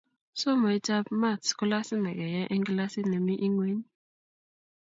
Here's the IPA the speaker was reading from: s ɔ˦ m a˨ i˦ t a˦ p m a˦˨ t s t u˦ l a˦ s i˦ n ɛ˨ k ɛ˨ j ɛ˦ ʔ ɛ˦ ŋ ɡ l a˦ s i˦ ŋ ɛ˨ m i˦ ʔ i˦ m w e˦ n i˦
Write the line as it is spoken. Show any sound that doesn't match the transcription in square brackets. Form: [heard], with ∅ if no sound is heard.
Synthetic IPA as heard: s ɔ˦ m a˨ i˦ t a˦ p m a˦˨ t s [k] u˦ l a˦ s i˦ n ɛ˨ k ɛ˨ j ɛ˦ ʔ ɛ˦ ŋ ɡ l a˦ s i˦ [n] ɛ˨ m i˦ ʔ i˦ [ŋ] w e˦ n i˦